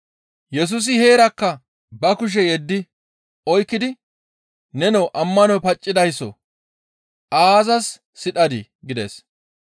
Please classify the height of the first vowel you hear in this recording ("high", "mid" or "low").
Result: mid